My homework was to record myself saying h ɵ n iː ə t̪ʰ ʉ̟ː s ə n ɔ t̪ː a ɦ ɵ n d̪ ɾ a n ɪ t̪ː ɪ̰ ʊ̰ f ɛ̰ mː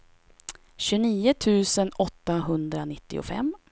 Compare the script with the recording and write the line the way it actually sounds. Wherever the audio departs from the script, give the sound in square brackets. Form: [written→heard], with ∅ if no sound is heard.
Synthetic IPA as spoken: [h→ɕ] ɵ n iː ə t̪ʰ ʉ̟ː s ə n ɔ t̪ː a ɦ ɵ n d̪ ɾ a n ɪ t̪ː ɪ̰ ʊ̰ f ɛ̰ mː